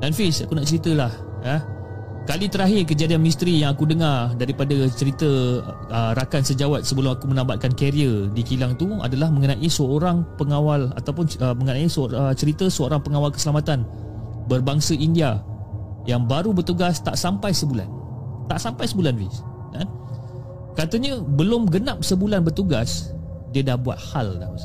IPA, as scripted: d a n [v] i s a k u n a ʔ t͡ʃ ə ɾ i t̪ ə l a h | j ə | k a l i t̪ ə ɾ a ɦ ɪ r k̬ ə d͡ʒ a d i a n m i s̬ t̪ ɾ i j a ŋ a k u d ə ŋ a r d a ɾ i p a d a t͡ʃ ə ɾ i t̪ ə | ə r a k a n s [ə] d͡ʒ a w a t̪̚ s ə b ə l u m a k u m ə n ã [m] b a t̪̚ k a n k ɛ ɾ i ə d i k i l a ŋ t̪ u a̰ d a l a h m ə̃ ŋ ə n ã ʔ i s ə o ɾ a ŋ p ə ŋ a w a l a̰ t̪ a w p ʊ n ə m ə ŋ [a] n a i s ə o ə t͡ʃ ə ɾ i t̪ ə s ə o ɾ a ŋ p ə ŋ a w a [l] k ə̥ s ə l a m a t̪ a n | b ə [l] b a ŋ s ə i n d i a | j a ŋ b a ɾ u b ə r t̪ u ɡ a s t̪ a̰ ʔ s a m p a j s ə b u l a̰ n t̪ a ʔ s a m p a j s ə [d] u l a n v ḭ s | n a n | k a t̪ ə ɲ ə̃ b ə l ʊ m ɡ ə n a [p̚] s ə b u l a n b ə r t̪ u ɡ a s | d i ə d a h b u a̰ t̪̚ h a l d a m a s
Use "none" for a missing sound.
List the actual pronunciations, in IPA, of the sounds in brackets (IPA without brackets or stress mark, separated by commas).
f, ə, m, ə, l, r, b, p̚